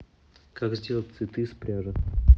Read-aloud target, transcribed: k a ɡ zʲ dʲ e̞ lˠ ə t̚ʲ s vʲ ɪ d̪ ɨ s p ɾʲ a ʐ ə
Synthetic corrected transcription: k a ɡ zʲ dʲ e̞ lˠ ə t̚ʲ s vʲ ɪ t̪ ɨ s p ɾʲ a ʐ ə